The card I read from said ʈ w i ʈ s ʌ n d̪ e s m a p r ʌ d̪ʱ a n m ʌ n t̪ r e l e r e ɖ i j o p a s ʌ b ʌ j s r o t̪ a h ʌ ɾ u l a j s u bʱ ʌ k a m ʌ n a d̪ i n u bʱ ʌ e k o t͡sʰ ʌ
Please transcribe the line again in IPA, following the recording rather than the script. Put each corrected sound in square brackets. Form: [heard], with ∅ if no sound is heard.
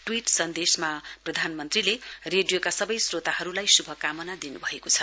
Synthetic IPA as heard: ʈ w i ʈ s ʌ n d̪ e s m a p r ʌ d̪ʱ a n m ʌ n t̪ r [i] l e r e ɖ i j o [k] a s ʌ b ʌ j s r o t̪ a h ʌ ɾ u l a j s u bʱ ʌ k a m ʌ n a d̪ i n u bʱ ʌ e k o t͡sʰ ʌ